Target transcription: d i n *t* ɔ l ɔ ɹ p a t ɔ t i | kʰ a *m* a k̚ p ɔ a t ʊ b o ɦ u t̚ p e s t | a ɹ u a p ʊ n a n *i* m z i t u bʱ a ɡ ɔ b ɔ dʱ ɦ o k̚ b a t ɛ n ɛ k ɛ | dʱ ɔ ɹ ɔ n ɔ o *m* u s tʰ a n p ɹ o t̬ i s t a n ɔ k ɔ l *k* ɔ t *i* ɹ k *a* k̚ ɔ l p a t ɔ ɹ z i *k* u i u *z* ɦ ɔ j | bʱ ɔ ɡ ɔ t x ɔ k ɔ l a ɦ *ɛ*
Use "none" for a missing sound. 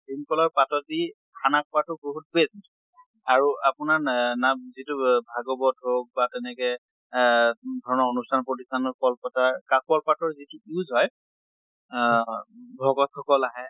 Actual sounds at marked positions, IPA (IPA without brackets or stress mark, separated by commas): k, n, a, n, p, a, a, t, z, ɛ